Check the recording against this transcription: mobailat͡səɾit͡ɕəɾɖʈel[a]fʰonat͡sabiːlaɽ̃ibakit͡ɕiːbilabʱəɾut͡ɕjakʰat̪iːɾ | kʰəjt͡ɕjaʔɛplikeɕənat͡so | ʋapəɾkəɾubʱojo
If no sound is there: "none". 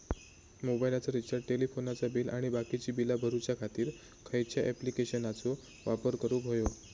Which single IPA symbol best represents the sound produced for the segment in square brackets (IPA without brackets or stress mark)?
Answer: i